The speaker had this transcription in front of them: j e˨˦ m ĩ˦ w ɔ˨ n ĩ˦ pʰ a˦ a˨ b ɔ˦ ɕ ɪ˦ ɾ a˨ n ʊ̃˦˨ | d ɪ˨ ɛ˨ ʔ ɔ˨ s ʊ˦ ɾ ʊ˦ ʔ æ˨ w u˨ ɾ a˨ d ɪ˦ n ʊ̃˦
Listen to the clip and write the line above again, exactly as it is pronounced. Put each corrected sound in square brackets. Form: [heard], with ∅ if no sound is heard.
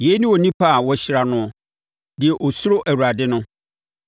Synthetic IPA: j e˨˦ [n] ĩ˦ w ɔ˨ n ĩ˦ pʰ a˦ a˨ [w] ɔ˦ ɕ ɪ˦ ɾ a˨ n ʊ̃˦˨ | d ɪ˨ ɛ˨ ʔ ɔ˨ s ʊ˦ ɾ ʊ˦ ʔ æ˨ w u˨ ɾ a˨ d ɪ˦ n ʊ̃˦